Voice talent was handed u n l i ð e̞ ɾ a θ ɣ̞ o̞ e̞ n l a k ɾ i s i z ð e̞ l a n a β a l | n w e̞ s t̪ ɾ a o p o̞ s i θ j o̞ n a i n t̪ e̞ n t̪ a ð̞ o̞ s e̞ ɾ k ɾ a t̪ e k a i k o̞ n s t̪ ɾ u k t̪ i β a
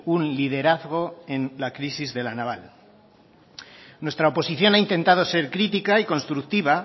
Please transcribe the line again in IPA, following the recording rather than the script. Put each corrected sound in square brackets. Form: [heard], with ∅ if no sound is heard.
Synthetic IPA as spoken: u n l i ð e̞ ɾ a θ ɣ̞ o̞ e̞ n l a k ɾ i s i z ð e̞ l a n a β a l | n w e̞ s t̪ ɾ a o p o̞ s i θ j o̞ n a i n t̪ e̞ n t̪ a ð̞ o̞ s e̞ ɾ k ɾ [i] t̪ [i] k a i k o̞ n s t̪ ɾ u k t̪ i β a

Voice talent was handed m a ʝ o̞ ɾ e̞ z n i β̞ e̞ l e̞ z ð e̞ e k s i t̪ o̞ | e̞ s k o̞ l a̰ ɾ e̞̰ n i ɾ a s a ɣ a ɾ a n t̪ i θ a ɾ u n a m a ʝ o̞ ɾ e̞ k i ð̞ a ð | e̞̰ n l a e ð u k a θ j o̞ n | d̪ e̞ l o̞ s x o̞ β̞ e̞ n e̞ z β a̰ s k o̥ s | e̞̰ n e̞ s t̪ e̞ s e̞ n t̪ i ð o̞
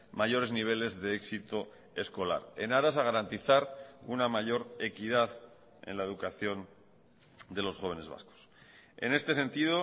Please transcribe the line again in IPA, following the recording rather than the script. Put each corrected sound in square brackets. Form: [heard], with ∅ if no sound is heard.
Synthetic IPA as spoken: m a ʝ o̞ ɾ e̞ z n i β̞ e̞ l e̞ z ð e̞ e k s i t̪ o̞ | e̞ s k o̞ l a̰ ɾ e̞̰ n [a] ɾ a s a ɣ a ɾ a n t̪ i θ a ɾ u n a m a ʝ o̞ ɾ e̞ k i ð̞ a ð | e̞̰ n l a e ð u k a θ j o̞ n | d̪ e̞ l o̞ s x o̞ β̞ e̞ n e̞ z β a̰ s k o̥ s | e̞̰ n e̞ s t̪ e̞ s e̞ n t̪ i ð o̞

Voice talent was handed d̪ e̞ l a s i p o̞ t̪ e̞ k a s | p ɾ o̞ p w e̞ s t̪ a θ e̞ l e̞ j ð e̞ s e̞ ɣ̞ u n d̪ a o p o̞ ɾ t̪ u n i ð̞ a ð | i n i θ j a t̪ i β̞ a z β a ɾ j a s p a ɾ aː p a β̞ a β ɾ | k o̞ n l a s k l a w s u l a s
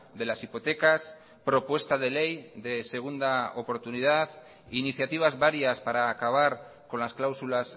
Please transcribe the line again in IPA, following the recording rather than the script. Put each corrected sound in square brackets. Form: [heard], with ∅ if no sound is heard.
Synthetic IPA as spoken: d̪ e̞ l a s i p o̞ t̪ e̞ k a s | p ɾ o̞ p w e̞ s t̪ a [ð] e̞ l e̞ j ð e̞ s e̞ ɣ̞ u n d̪ a o p o̞ ɾ t̪ u n i ð̞ a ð | i n i θ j a t̪ i β̞ a z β a ɾ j a s p a ɾ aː [k] a β̞ a [∅] ɾ | k o̞ n l a s k l a w s u l a s

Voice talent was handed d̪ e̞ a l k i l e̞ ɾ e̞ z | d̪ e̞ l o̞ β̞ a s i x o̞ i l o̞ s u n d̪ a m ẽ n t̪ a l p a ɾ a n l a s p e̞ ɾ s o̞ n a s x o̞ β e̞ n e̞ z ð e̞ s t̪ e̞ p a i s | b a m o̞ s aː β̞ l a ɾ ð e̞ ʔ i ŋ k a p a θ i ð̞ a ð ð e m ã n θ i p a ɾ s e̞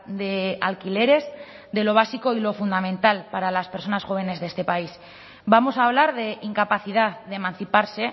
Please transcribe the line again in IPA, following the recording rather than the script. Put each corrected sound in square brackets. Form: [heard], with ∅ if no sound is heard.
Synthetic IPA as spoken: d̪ e̞ a l k i l e̞ ɾ e̞ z | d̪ e̞ l o̞ β̞ a s i [k] o̞ i l o̞ [f] u n d̪ a m ẽ n t̪ a l p a ɾ a [∅] l a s p e̞ ɾ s o̞ n a s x o̞ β e̞ n e̞ z ð e̞ s t̪ e̞ p a i s | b a m o̞ s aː β̞ l a ɾ ð e̞ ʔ i ŋ k a p a θ i ð̞ a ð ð e m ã n θ i p a ɾ s e̞

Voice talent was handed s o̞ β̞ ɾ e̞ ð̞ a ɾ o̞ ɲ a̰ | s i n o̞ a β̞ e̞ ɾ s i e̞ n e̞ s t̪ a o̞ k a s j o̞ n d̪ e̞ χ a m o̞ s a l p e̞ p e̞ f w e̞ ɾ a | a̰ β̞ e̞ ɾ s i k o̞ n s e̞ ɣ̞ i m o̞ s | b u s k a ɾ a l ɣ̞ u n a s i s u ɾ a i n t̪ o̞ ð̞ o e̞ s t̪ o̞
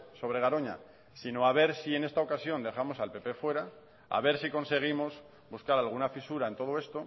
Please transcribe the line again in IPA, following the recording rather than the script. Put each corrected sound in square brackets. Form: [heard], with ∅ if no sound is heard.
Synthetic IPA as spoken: s o̞ β̞ ɾ e̞ [ɣ̞] a ɾ o̞ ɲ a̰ | s i n o̞ a β̞ e̞ ɾ s i e̞ n e̞ s t̪ a o̞ k a s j o̞ n d̪ e̞ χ a m o̞ s a l p e̞ p e̞ f w e̞ ɾ a | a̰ β̞ e̞ ɾ s i k o̞ n s e̞ ɣ̞ i m o̞ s | b u s k a ɾ a l ɣ̞ u n a [f] i s u ɾ a [e] n t̪ o̞ ð̞ o e̞ s t̪ o̞

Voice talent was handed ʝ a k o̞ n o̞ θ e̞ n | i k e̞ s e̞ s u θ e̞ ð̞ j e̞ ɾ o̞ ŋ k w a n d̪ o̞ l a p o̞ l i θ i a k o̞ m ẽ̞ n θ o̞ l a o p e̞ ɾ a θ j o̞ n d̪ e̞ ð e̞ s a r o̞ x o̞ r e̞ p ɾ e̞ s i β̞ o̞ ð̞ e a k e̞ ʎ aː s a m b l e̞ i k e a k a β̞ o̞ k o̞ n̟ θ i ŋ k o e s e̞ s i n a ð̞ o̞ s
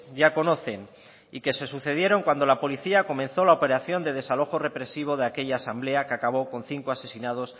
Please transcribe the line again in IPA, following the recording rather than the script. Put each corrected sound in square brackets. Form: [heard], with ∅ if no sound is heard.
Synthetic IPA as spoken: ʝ a k o̞ n o̞ θ e̞ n | i k e̞ s e̞ s u θ e̞ ð̞ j e̞ ɾ o̞ ŋ k w a n d̪ o̞ l a p o̞ l i θ i a k o̞ m ẽ̞ n θ o̞ l a o p e̞ ɾ a θ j o̞ n d̪ e̞ ð e̞ s a [l] o̞ x o̞ r e̞ p ɾ e̞ s i β̞ o̞ ð̞ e a k e̞ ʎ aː s a m b l e̞ [a] k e a k a β̞ o̞ k o̞ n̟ θ i ŋ k o [a] s e̞ s i n a ð̞ o̞ s

